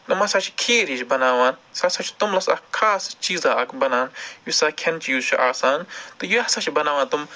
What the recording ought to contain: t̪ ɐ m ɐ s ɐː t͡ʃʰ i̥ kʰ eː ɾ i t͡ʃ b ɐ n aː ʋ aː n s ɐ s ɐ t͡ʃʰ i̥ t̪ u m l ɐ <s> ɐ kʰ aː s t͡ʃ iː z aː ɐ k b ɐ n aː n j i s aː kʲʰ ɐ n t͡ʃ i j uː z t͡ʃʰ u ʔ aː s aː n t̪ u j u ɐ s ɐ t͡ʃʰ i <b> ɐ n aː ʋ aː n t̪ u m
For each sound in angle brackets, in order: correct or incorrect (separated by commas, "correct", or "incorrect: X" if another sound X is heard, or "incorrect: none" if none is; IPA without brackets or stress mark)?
correct, correct